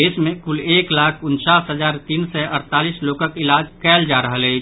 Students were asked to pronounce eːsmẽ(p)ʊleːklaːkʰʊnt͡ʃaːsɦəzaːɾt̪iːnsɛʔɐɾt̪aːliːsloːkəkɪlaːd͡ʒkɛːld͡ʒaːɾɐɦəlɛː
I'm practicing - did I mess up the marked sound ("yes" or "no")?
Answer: yes